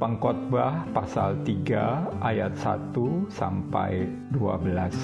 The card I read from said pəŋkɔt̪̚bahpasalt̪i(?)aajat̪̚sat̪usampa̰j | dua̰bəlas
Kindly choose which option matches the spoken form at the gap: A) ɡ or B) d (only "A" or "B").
A